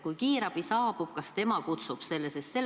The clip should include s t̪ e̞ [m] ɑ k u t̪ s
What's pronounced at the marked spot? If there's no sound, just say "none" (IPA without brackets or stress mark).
m